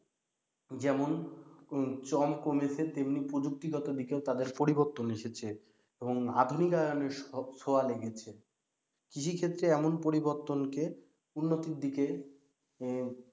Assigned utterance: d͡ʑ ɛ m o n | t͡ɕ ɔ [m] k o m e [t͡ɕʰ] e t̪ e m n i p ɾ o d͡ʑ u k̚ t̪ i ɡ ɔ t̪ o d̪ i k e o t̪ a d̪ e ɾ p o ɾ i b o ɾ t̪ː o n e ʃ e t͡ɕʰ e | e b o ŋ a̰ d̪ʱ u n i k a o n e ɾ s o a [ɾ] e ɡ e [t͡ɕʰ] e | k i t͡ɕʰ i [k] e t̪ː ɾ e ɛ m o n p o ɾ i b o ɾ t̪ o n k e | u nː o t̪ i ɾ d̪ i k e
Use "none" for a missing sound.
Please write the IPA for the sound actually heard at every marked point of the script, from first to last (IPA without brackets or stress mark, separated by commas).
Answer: m, t͡ɕʰ, l, t͡ɕʰ, kʰ